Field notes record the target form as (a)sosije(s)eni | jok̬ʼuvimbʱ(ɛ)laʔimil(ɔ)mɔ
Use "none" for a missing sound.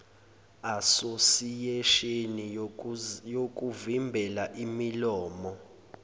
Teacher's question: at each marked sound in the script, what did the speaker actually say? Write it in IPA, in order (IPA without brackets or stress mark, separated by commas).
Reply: a, ʃ, ɛ, ɔː